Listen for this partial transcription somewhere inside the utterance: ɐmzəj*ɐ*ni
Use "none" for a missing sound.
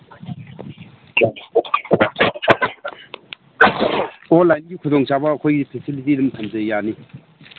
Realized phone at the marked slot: a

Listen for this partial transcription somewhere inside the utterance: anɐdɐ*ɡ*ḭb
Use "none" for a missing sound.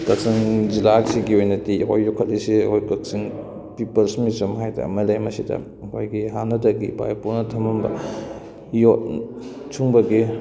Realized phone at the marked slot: ɡ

